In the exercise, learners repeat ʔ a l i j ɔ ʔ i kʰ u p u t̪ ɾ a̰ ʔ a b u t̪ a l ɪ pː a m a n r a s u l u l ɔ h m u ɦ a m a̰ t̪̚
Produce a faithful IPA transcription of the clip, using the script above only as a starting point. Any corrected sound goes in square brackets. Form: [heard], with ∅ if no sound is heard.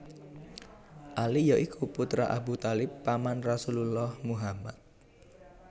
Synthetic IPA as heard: ʔ a l i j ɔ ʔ i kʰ u p u t̪ ɾ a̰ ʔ a b u t̪ a l ɪ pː a m a n r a s u l u l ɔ h m u ɦ a m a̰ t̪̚